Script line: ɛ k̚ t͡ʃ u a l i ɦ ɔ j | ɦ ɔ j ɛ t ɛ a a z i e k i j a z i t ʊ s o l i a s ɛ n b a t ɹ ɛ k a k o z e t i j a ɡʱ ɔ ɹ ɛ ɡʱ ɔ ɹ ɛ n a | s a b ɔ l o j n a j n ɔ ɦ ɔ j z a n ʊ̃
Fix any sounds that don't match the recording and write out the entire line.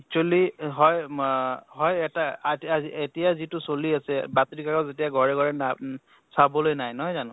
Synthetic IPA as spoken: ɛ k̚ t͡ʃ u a l i ɦ ɔ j | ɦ ɔ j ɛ t a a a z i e t i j a z i t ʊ s o l i a s ɛ b a t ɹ i k a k ɔ z e t i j a ɡʱ ɔ ɹ ɛ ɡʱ ɔ ɹ ɛ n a | s a b ɔ l o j n a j n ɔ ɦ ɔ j z a n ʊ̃